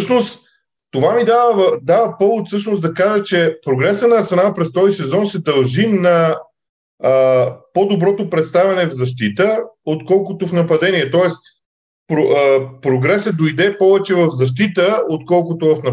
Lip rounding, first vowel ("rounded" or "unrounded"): rounded